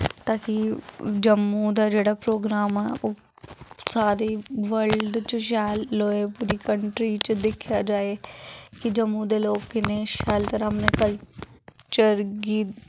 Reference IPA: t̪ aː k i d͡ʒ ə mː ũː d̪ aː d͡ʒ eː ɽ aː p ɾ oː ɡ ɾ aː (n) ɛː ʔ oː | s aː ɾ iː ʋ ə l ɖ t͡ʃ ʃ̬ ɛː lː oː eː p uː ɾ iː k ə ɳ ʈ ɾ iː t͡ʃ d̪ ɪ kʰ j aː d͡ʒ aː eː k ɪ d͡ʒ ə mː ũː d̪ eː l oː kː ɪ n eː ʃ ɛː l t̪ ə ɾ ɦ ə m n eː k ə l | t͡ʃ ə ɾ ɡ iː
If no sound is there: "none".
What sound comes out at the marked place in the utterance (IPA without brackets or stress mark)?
m